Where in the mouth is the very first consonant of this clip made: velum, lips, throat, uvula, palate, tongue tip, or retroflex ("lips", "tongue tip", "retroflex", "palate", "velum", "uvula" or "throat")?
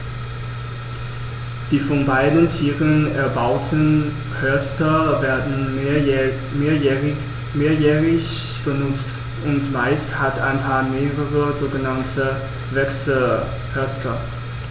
tongue tip